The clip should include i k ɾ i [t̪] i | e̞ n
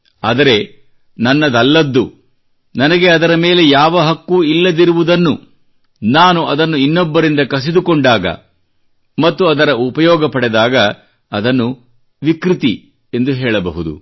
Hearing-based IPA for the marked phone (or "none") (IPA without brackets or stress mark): t̪